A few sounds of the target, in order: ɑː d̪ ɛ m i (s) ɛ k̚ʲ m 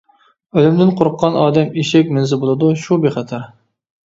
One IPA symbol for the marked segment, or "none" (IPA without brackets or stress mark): ʃ